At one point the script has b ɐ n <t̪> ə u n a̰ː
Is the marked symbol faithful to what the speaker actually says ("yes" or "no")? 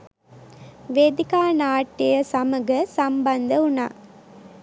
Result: no